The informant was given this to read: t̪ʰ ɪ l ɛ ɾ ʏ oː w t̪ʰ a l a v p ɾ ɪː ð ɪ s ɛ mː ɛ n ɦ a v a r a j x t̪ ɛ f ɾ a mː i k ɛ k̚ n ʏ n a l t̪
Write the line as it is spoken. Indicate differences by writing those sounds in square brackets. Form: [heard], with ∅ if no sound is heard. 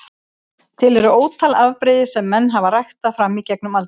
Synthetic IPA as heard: t̪ʰ ɪ l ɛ ɾ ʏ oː w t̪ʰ a l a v p ɾ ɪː ð ɪ s ɛ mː ɛ [nː] ɦ a v a r a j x t̪ [a] f ɾ a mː i [c] ɛ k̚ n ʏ [m] a l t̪